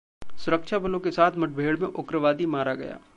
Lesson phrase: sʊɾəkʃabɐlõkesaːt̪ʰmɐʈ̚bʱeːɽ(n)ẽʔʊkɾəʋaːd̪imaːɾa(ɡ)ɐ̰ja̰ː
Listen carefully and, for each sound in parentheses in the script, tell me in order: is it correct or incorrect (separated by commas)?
incorrect, correct